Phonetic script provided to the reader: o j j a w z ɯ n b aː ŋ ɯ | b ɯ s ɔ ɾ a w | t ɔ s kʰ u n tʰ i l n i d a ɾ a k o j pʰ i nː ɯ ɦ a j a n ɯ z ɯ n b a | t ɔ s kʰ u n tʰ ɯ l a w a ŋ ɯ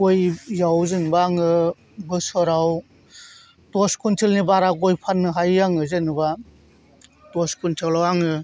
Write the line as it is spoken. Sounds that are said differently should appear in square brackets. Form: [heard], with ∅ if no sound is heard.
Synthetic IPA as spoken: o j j a w z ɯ n b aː ŋ ɯ | b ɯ s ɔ ɾ a w | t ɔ s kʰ u n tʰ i l n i [b] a ɾ a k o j pʰ [a] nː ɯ ɦ a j a [ŋ] ɯ z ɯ n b a | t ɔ s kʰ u n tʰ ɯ l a w a ŋ ɯ